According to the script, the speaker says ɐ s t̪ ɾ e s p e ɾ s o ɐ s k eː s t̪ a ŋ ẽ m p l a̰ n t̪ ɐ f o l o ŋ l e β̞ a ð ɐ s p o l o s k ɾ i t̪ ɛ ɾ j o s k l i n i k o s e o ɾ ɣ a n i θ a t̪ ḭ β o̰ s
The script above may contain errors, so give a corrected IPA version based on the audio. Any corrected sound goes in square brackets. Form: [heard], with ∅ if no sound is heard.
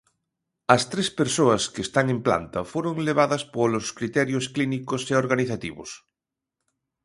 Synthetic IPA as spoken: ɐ s t̪ ɾ e s p e ɾ s o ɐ s k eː s t̪ a ŋ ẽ m p l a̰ n t̪ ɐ f o [ɾ] o ŋ l e β̞ a ð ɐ s p o l o s k ɾ i t̪ ɛ ɾ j o s k l i n i k o s e o ɾ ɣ a n i θ a t̪ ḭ β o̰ s